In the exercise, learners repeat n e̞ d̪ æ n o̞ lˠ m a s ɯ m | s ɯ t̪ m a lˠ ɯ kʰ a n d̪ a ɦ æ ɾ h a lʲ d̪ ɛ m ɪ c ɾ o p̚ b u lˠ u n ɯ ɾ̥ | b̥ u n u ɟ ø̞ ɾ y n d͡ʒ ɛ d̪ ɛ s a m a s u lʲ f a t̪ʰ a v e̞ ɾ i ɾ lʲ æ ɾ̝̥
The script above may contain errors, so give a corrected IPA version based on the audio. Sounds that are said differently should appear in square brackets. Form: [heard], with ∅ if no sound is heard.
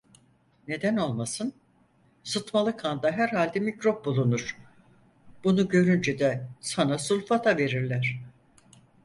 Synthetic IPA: n e̞ d̪ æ n o̞ lˠ m a s ɯ [n] | s ɯ t̪ m a lˠ ɯ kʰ a n d̪ a ɦ æ ɾ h a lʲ d̪ ɛ m [i] c ɾ o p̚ b u lˠ u n [u] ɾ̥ | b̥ u n u ɟ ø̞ ɾ y n d͡ʒ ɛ d̪ ɛ s a [n] a s u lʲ f a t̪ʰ a v e̞ ɾ i ɾ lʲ æ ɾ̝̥